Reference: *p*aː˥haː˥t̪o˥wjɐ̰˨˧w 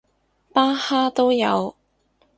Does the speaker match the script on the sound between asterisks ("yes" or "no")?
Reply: yes